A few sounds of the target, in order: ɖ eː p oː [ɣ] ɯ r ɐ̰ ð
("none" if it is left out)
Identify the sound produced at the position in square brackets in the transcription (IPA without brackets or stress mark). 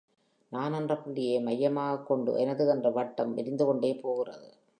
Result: ɣ